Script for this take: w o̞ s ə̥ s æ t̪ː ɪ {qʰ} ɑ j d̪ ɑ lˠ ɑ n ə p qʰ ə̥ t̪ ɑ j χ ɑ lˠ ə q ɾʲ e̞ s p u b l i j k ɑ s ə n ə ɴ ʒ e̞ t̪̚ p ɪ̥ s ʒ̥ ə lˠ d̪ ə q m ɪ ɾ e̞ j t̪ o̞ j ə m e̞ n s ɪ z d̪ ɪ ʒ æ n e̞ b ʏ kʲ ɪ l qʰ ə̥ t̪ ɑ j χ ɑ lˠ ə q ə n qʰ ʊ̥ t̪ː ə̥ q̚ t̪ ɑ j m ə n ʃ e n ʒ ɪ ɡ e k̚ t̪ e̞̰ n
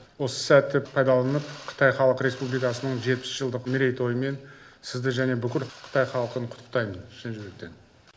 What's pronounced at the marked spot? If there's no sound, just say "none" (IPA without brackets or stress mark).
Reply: pʰ